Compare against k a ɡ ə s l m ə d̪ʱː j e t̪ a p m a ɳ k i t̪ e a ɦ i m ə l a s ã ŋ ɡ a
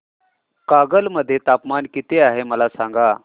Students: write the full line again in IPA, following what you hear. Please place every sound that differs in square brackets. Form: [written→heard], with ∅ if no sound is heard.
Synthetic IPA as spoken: k a ɡ ə [s→∅] l m ə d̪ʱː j e t̪ a p m a [ɳ→n] k i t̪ e a ɦ [i→e] m ə l a s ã ŋ ɡ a